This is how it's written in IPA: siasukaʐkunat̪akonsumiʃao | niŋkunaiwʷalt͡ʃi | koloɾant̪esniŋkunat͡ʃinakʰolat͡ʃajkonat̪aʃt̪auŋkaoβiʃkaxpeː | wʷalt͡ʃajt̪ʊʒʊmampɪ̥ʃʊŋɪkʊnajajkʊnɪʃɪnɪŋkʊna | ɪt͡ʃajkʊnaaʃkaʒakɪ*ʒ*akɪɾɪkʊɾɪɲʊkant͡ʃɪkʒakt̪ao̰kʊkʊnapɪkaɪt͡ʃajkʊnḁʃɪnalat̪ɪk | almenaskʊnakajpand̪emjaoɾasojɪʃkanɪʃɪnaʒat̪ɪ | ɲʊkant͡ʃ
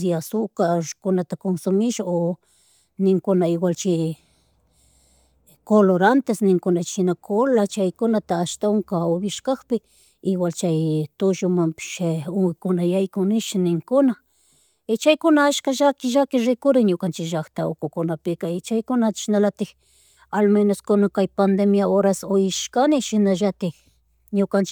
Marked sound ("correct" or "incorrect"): correct